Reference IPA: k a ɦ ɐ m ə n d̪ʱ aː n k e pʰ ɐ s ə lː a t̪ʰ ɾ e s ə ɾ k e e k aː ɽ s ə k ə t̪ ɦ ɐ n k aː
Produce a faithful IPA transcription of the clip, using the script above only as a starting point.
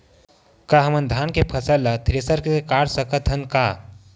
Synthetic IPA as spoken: k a ɦ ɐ m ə n d̪ʱ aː n k e pʰ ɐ s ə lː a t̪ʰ ɾ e s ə ɾ k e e k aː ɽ s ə k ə t̪ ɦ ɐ n k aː